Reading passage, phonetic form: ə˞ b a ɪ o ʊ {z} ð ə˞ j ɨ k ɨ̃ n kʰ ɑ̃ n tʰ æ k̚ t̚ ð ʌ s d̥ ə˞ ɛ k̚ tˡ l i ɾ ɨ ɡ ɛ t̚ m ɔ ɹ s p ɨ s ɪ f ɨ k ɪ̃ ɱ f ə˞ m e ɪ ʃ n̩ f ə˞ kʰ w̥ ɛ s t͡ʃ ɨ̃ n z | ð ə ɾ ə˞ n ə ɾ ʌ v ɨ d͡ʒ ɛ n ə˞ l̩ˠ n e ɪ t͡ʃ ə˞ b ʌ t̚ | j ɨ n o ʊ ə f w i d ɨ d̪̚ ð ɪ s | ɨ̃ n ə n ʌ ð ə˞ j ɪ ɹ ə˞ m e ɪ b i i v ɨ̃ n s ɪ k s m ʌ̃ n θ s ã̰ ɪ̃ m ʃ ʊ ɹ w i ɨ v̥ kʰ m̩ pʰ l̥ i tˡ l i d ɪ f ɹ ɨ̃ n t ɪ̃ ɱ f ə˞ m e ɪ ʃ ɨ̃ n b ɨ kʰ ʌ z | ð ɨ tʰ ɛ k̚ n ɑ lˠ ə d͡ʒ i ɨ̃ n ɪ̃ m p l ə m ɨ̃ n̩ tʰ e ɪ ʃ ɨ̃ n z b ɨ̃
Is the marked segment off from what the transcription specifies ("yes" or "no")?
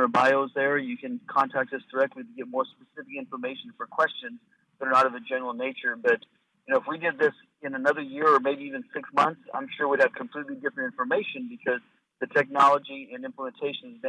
no